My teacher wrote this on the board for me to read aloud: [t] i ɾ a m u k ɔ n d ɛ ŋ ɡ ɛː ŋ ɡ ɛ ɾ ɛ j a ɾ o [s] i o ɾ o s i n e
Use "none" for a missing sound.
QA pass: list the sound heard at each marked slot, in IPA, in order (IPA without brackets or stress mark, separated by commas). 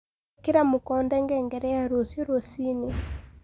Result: k, s